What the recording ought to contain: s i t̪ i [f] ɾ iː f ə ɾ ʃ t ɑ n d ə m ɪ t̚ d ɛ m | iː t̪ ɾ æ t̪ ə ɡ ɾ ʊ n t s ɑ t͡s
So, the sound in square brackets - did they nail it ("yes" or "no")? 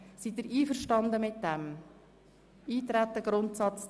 no